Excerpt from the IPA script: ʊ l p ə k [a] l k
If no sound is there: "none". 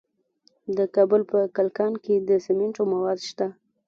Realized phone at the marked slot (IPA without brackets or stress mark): a